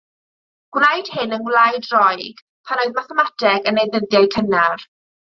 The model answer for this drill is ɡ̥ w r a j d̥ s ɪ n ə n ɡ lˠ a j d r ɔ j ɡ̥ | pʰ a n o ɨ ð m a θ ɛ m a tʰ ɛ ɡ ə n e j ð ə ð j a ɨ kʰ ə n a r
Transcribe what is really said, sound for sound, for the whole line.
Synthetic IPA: ɡ̥ w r a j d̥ h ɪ n ə n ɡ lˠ a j d r ɔ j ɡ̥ | pʰ a n o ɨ ð m a θ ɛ m a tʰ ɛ ɡ ə n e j ð ə ð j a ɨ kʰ ə n a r